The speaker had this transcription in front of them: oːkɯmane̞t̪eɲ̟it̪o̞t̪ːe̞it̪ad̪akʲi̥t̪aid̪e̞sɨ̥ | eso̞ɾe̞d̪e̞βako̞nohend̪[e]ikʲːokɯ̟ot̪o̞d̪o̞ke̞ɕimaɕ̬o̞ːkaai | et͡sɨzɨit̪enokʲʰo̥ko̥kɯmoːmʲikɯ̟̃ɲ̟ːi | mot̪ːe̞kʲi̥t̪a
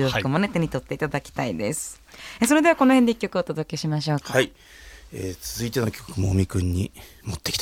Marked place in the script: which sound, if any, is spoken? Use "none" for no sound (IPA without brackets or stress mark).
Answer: e